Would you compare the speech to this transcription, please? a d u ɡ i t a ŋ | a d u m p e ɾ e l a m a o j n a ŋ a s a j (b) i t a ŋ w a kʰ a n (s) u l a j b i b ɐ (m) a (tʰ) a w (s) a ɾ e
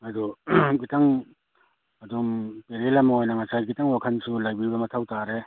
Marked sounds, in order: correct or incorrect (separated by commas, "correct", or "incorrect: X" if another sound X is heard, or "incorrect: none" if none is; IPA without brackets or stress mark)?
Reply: incorrect: ɡ, correct, correct, correct, incorrect: t